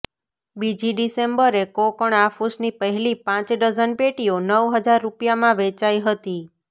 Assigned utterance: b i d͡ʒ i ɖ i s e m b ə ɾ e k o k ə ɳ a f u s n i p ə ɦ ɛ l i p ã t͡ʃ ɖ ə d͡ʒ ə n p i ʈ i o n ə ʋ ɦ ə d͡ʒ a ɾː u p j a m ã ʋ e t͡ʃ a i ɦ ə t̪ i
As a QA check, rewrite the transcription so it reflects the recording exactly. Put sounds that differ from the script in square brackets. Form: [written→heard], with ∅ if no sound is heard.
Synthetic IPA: b i d͡ʒ i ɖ i s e m b ə ɾ e k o k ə ɳ a f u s n i p ə ɦ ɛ l i p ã t͡ʃ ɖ ə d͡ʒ ə n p [i→e] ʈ i o n ə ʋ ɦ ə d͡ʒ a ɾː u p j a m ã ʋ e t͡ʃ a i ɦ ə t̪ i